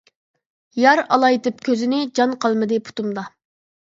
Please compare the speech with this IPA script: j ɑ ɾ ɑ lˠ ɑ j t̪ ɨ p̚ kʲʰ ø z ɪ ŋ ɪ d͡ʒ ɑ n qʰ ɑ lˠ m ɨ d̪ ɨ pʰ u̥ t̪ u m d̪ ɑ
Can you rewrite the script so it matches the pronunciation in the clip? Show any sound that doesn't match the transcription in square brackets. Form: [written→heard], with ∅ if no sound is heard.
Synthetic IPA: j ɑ ɾ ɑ lˠ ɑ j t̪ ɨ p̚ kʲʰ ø z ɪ [ŋ→n] ɪ d͡ʒ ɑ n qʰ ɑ lˠ m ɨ d̪ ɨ pʰ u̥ t̪ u m d̪ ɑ

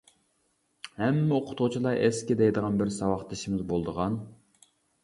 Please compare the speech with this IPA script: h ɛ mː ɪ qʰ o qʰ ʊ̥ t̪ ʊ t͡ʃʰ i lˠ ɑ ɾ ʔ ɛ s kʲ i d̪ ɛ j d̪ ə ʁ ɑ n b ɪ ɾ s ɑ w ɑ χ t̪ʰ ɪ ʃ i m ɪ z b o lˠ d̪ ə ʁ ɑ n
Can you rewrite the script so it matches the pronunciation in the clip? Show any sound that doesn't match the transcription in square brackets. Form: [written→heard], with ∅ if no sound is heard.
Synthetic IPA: h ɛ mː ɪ [qʰ→∅] o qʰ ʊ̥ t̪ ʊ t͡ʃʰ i lˠ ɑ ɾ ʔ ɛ s kʲ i d̪ ɛ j d̪ ə ʁ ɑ n b ɪ ɾ s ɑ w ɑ χ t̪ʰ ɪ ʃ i m ɪ z b o lˠ d̪ ə ʁ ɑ n

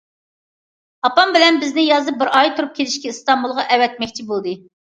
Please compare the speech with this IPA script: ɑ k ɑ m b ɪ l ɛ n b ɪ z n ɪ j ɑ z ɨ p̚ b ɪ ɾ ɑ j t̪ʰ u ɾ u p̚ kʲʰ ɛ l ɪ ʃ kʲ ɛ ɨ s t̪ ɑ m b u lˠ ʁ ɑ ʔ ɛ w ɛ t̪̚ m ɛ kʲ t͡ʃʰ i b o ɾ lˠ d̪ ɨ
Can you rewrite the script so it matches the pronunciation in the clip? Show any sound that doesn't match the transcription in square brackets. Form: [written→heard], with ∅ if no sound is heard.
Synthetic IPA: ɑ [k→p] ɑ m b ɪ l ɛ n b ɪ z n ɪ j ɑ z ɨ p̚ b ɪ ɾ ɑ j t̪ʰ u ɾ u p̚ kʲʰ [ɛ→e] l ɪ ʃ kʲ ɛ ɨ s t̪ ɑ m b u lˠ ʁ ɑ ʔ ɛ w ɛ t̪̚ m ɛ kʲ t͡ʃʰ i b o [ɾ→∅] lˠ d̪ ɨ

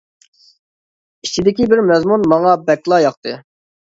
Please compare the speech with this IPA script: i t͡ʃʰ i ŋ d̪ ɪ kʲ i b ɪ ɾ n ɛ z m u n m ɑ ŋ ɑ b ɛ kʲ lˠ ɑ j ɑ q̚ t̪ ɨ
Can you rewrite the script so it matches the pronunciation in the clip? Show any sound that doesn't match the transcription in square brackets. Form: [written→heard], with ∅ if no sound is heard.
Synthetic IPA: i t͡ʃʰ i [ŋ→∅] d̪ ɪ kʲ i b ɪ ɾ [n→m] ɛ z m u n m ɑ ŋ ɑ b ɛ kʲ lˠ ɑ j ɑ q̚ t̪ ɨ

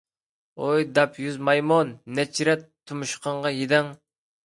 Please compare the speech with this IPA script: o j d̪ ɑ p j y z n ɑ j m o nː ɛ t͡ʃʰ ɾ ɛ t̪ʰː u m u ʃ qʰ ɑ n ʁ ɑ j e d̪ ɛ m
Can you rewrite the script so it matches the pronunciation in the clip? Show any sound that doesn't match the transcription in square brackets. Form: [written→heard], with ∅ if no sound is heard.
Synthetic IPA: o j d̪ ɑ p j y z [n→m] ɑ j m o nː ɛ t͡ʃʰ ɾ ɛ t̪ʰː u m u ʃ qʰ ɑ [n→ɴ] ʁ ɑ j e d̪ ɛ [m→ŋ]

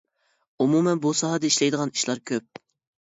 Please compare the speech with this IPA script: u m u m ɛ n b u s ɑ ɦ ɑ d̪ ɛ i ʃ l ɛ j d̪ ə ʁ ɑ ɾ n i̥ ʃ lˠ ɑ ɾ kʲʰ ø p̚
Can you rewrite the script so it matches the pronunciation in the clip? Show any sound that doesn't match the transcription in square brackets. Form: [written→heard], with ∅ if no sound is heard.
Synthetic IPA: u m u m ɛ n b u s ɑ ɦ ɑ d̪ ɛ i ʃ l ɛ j d̪ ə ʁ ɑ [ɾ→∅] n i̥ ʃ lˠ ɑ ɾ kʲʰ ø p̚

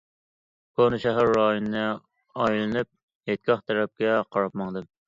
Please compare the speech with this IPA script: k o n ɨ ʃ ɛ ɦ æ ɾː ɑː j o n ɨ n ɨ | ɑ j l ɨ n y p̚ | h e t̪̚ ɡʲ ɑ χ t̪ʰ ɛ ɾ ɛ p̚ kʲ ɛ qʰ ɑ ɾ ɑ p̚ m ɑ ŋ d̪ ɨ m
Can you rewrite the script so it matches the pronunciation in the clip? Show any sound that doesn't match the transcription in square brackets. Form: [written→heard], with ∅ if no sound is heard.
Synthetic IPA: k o n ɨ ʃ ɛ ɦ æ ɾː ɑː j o n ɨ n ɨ | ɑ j l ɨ n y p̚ | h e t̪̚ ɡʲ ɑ χ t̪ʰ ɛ ɾ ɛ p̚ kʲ ɛ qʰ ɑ ɾ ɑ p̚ m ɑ ŋ d̪ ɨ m

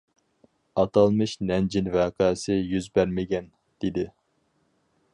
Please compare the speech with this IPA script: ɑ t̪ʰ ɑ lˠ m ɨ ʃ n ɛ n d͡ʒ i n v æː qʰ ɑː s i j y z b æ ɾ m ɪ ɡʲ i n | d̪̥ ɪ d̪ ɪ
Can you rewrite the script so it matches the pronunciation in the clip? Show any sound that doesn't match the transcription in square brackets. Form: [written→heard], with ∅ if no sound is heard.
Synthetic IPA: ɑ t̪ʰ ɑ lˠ m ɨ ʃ n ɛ n d͡ʒ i n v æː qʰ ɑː s [i→ɪ] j y z b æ ɾ m ɪ ɡʲ [i→ɛ] n | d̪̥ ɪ d̪ ɪ

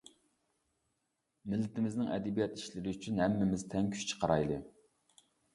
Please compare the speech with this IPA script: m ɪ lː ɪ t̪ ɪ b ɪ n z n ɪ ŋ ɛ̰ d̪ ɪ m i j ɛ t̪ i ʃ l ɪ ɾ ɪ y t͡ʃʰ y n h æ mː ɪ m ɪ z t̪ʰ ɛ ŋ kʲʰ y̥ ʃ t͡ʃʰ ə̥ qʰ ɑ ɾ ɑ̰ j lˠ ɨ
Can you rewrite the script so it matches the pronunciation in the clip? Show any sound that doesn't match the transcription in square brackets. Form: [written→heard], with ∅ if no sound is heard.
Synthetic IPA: m ɪ lː ɪ t̪ ɪ [b→m] ɪ [n→∅] z n ɪ ŋ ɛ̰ d̪ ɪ [m→b] i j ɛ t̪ i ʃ l ɪ ɾ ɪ y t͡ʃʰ y n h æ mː ɪ m ɪ z t̪ʰ ɛ ŋ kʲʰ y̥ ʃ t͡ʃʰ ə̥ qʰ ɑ ɾ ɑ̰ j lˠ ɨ

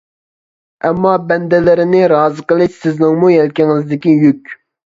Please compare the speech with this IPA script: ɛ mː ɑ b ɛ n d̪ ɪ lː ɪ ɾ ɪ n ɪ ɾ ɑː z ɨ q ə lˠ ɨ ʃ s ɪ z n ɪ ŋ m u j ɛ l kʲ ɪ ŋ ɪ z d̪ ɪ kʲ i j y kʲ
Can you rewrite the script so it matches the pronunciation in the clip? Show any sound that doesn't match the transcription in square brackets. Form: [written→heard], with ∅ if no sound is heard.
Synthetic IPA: ɛ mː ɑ b ɛ n d̪ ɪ [lː→l] ɪ ɾ ɪ n ɪ ɾ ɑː z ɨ q ə lˠ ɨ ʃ s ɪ z n ɪ ŋ m u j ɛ l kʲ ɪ ŋ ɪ z d̪ ɪ kʲ i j y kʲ

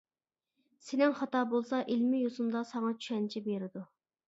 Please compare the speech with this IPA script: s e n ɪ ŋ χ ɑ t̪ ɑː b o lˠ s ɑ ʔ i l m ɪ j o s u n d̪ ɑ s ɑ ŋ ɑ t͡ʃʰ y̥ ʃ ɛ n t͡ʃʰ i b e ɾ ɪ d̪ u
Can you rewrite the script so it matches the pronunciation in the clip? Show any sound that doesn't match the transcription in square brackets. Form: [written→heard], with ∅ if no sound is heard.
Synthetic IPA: s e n ɪ ŋ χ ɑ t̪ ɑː b o lˠ s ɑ ʔ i l m ɪ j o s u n d̪ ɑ s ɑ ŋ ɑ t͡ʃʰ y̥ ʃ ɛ n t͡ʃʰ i b e ɾ ɪ d̪ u

